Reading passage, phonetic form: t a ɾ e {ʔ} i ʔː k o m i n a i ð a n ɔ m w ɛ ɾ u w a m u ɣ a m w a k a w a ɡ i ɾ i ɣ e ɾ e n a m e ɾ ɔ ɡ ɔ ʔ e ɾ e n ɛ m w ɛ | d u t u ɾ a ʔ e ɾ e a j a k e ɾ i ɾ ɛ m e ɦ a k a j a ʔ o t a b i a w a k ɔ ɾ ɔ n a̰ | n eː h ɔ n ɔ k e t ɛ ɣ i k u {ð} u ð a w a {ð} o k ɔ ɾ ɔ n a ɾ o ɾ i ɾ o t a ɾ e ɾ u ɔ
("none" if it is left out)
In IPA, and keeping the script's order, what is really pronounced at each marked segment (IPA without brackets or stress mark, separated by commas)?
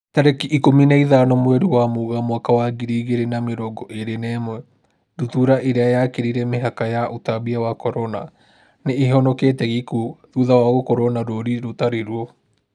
k, ð, ɣ